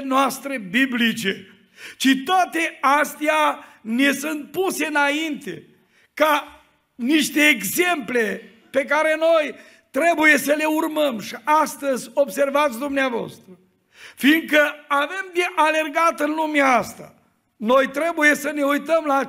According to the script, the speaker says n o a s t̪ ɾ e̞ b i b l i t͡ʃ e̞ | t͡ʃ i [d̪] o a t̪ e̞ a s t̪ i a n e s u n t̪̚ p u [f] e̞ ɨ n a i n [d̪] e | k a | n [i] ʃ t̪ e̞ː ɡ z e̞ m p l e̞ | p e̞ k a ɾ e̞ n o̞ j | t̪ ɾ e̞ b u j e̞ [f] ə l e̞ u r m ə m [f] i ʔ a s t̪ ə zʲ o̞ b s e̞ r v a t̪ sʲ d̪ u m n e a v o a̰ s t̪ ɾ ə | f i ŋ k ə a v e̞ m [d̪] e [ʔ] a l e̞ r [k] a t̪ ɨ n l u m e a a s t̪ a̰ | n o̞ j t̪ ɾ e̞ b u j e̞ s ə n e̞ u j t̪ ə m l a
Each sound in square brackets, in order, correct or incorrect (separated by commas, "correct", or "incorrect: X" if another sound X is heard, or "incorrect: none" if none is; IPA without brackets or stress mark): incorrect: t̪, incorrect: s, incorrect: t̪, correct, incorrect: s, incorrect: ʃ, correct, correct, incorrect: ɡ